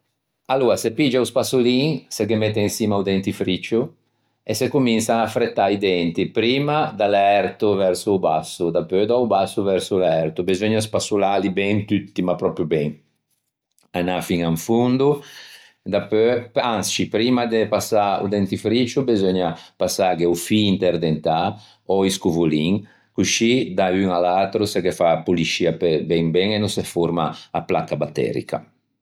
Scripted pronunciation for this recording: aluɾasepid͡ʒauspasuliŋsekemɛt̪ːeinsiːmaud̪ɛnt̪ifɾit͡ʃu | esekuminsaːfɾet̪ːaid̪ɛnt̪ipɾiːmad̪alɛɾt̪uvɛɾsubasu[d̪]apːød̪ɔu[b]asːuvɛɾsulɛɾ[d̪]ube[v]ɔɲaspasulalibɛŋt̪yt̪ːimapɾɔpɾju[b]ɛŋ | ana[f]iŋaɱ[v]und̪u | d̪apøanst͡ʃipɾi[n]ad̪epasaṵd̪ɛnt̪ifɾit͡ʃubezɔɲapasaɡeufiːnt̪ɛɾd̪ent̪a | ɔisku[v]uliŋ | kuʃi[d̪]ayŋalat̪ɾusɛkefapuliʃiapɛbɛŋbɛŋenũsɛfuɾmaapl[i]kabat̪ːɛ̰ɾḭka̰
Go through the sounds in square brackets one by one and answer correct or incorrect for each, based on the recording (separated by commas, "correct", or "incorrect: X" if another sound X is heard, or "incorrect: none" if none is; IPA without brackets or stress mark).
correct, correct, incorrect: t̪, incorrect: z, correct, correct, incorrect: f, incorrect: m, correct, correct, incorrect: a